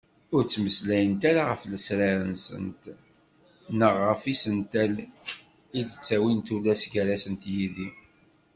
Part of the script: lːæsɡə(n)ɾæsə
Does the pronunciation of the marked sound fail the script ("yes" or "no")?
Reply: yes